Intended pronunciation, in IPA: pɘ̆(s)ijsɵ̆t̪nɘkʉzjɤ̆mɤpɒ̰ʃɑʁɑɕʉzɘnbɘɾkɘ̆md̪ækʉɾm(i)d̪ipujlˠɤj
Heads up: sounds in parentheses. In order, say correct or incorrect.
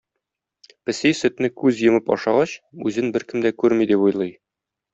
correct, correct

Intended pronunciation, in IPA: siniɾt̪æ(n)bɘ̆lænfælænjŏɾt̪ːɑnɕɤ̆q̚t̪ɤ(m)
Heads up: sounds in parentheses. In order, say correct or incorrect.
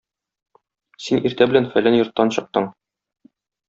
incorrect, incorrect

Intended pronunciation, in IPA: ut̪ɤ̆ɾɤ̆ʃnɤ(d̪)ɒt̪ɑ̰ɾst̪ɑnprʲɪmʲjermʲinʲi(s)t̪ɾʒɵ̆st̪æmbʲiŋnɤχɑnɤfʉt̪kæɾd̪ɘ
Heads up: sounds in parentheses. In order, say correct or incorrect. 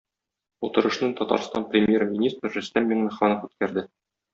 incorrect, correct

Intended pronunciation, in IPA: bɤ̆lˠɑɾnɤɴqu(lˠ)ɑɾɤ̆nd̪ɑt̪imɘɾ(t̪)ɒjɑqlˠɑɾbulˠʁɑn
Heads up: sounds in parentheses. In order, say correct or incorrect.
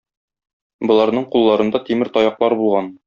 incorrect, correct

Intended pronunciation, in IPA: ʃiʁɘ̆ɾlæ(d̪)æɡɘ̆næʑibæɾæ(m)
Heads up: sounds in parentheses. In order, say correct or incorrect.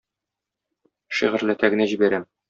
incorrect, correct

